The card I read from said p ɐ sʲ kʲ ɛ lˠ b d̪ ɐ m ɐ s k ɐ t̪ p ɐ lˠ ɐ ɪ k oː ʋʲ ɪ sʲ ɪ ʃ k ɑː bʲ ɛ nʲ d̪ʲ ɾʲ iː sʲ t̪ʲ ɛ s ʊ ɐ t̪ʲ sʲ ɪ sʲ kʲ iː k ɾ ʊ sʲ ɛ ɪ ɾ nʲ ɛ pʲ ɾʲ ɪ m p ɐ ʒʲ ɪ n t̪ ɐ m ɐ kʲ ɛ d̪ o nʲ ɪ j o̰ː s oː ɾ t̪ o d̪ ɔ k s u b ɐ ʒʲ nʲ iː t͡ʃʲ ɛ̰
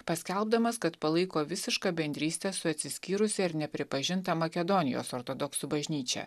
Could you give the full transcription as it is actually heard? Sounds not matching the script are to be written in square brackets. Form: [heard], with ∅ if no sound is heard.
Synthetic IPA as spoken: p ɐ sʲ kʲ ɛ lˠ b d̪ ɐ m ɐ s k ɐ t̪ p ɐ lˠ ɐ ɪ k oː ʋʲ ɪ sʲ ɪ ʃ k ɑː bʲ ɛ nʲ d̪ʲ ɾʲ iː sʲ t̪ʲ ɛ s ʊ ɐ t̪ʲ sʲ ɪ sʲ kʲ iː [∅] ɾ ʊ sʲ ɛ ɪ ɾ nʲ ɛ pʲ ɾʲ ɪ [∅] p ɐ ʒʲ ɪ n t̪ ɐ m ɐ kʲ ɛ d̪ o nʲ ɪ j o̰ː s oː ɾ t̪ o d̪ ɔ k s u b ɐ ʒʲ nʲ iː t͡ʃʲ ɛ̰